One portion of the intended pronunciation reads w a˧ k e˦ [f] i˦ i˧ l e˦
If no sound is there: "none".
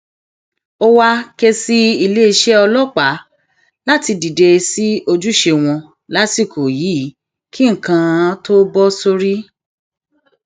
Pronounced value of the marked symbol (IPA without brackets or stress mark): s